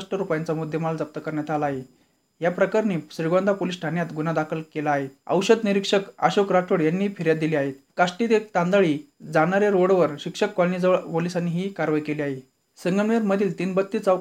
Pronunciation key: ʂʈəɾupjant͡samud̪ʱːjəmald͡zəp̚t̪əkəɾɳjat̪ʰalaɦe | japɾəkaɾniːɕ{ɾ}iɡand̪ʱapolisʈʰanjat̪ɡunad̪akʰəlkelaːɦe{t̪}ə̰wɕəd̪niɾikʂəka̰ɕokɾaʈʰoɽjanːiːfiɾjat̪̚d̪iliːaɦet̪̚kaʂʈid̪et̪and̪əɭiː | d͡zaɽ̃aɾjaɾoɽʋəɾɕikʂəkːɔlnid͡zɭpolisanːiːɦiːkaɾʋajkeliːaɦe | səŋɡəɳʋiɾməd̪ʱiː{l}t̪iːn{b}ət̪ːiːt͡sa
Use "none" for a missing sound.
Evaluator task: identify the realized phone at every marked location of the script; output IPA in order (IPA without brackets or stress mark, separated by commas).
ɾ, t̪, l, b